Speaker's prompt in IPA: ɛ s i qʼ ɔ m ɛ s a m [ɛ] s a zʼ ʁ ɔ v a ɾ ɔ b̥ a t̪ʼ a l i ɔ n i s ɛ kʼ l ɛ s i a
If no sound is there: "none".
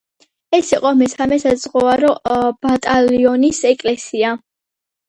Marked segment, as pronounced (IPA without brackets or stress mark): ɛ